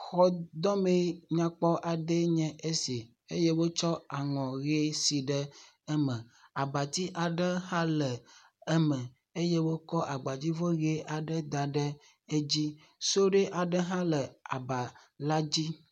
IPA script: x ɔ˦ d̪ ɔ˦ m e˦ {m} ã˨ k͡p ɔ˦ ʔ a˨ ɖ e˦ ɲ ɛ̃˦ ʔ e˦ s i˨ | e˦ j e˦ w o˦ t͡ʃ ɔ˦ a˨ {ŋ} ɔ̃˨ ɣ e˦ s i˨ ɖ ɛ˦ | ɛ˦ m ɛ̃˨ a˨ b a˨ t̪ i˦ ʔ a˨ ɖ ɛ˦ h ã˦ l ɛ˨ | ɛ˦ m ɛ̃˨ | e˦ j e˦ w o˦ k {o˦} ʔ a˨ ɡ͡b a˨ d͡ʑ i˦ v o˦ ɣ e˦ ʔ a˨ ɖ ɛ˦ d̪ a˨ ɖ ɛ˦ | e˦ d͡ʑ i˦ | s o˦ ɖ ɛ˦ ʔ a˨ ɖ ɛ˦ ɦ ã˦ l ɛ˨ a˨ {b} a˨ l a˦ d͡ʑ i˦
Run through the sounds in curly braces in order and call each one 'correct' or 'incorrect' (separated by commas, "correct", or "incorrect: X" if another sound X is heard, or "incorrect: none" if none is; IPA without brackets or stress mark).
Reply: incorrect: ɲ, correct, incorrect: ɔ˦, correct